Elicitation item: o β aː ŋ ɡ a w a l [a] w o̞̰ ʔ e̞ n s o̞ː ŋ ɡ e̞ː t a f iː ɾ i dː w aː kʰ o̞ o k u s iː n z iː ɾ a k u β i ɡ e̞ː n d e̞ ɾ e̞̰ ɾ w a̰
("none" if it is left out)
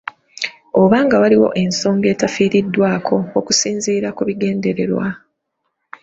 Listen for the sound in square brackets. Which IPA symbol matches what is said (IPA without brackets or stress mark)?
i